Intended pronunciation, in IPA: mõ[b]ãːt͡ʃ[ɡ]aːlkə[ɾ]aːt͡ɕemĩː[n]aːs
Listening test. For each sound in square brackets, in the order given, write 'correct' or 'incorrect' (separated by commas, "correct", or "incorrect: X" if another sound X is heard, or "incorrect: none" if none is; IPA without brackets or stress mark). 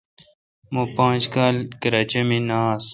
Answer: incorrect: p, incorrect: k, correct, correct